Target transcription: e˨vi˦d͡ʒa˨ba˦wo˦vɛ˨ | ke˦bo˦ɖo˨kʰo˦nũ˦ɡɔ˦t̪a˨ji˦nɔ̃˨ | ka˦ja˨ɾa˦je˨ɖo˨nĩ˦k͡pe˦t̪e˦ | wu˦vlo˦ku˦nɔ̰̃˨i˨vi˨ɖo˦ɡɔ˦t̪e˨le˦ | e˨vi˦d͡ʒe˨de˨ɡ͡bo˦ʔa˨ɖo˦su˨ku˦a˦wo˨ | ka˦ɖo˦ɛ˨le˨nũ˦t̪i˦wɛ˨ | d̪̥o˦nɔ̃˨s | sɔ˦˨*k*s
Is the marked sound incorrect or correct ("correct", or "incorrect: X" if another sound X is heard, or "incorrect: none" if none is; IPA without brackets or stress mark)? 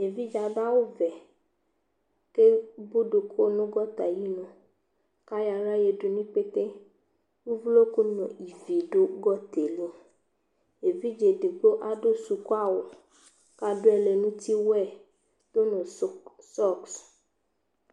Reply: correct